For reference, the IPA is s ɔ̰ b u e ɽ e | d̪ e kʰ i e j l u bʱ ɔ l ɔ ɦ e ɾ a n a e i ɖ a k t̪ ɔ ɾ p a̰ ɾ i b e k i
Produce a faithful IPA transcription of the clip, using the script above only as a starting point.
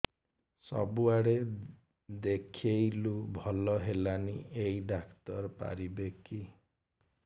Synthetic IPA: s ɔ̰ b u a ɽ e | d̪ e kʰ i e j l u bʱ ɔ l ɔ ɦ e l a n i e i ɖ a k t̪ ɔ ɾ p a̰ ɾ i b e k i